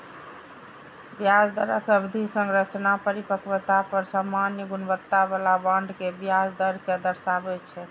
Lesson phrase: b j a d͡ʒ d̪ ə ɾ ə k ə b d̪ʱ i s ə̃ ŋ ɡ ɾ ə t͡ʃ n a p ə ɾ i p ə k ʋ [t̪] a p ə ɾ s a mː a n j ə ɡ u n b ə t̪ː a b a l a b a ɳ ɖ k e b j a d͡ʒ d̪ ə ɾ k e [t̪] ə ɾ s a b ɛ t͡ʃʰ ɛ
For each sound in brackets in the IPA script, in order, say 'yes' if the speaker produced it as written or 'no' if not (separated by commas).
yes, no